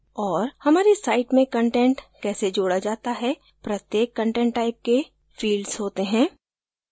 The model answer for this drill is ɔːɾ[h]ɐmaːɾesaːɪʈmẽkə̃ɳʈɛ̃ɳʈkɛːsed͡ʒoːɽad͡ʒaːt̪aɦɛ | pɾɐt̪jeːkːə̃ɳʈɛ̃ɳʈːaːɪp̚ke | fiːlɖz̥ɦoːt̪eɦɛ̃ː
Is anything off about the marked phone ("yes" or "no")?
no